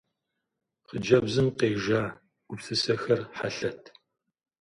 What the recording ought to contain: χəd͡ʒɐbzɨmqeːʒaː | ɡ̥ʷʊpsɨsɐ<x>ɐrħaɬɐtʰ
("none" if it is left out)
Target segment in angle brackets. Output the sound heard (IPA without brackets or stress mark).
x